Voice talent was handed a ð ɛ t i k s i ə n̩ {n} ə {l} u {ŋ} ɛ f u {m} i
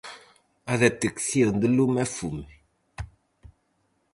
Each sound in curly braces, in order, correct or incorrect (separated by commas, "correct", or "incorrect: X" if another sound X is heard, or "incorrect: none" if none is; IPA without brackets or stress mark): incorrect: d, correct, incorrect: m, correct